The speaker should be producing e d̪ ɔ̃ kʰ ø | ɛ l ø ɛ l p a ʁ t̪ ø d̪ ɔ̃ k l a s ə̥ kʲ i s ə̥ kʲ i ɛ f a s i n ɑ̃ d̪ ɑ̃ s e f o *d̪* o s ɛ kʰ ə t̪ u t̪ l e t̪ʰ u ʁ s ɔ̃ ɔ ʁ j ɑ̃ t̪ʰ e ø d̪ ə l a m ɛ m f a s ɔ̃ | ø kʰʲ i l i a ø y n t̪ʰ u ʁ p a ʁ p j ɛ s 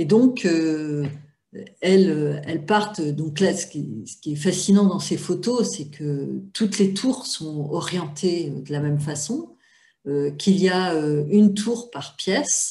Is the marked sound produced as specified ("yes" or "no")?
no